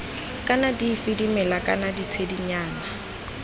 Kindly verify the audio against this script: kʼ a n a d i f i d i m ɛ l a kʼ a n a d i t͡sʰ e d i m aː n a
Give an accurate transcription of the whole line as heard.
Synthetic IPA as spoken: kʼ a n a d i f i d i m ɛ l a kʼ a n a d i t͡sʰ e d i ɲ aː n a